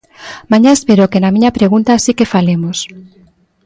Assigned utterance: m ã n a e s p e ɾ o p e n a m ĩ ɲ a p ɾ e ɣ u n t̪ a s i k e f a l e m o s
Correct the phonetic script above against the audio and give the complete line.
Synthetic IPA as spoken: m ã ɲ a e s p e ɾ o k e n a m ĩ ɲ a p ɾ e ɣ u n t̪ a s i k e f a l e m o s